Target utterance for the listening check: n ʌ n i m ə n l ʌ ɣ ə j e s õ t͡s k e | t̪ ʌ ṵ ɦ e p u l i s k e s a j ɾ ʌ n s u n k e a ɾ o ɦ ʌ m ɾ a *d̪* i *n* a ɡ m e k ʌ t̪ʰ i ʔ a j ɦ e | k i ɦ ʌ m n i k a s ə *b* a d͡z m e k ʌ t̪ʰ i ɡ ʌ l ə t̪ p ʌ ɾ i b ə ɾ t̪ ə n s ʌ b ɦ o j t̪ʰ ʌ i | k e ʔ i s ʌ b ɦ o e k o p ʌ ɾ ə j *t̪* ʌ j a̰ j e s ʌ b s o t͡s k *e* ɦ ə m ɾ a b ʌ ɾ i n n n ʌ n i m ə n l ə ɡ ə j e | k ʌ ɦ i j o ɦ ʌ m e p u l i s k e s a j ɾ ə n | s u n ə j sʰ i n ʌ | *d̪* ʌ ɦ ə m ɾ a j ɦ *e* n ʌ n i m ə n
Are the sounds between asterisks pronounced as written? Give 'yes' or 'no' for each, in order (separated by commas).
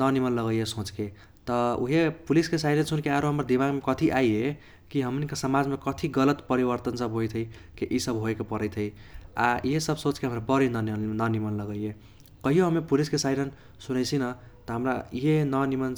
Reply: yes, no, no, no, yes, no, yes